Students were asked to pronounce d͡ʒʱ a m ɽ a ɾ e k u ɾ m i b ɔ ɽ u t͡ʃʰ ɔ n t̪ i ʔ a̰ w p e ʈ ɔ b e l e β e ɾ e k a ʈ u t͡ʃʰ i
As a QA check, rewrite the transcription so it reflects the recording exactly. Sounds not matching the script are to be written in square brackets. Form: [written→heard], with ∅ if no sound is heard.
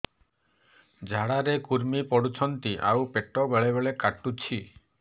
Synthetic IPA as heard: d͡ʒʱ a [m→∅] ɽ a ɾ e k u ɾ m i [b→p] ɔ ɽ u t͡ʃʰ ɔ n t̪ i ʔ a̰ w p e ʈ ɔ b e [l→ɭ] e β e [ɾ→ɭ] e k a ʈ u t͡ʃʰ i